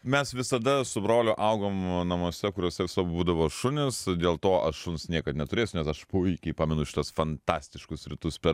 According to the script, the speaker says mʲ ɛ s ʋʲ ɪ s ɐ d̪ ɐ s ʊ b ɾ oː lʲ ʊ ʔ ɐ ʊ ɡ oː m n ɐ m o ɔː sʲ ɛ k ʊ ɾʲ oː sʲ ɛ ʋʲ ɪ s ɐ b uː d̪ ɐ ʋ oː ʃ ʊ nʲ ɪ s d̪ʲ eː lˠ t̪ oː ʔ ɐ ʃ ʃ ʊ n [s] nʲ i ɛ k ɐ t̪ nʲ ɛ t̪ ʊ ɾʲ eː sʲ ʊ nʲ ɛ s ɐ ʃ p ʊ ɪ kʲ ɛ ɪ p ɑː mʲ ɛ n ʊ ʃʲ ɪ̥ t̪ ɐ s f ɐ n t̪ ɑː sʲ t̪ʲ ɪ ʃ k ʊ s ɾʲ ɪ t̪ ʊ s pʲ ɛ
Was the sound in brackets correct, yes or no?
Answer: yes